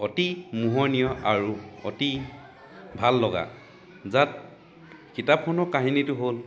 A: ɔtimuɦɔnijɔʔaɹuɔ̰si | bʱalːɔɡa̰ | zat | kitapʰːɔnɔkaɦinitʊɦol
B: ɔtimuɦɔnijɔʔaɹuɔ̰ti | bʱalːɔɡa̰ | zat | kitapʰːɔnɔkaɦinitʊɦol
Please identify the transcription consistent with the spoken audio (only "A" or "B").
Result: B